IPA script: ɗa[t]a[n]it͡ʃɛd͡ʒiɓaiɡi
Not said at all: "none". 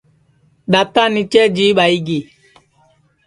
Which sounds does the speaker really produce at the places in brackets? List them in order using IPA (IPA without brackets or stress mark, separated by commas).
t, n